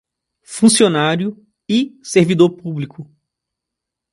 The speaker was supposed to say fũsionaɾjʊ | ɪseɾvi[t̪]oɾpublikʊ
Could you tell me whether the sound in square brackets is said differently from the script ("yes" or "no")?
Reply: yes